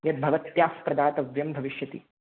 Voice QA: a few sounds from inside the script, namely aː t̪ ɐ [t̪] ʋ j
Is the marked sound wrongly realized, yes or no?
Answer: yes